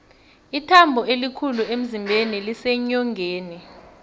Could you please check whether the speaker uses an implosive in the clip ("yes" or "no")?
no